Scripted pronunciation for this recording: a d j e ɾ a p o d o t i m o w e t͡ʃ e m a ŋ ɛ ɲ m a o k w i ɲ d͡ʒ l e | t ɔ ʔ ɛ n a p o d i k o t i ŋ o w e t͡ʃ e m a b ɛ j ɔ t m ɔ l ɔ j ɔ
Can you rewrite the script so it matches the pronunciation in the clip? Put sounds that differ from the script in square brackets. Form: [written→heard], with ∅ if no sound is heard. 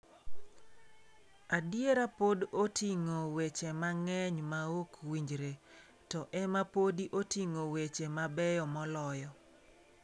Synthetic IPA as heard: a d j e ɾ a p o d o t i [m→ŋ] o w e t͡ʃ e m a ŋ ɛ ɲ m a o k w i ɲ d͡ʒ [l→ɾ] e | t ɔ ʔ ɛ [n→m] a p o d i [k→ʔ] o t i ŋ o w e t͡ʃ e m a b ɛ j ɔ [t→∅] m ɔ l ɔ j ɔ